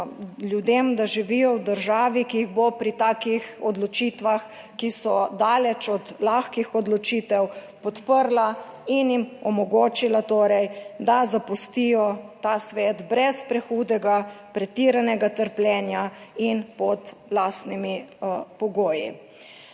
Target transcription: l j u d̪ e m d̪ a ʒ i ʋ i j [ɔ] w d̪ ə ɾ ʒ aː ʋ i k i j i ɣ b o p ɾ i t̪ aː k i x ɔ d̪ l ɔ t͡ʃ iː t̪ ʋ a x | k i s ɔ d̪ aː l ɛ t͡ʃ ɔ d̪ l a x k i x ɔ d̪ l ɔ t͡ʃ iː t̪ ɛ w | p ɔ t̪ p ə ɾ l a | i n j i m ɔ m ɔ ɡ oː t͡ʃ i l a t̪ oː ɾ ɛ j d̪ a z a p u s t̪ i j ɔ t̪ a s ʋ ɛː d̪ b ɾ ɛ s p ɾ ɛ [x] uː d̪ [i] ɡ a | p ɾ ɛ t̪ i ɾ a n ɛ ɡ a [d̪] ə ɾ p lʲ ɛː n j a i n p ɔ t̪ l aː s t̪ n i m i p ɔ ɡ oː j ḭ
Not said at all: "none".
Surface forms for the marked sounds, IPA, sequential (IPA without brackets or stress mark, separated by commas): ɔ, x, ɛ, t̪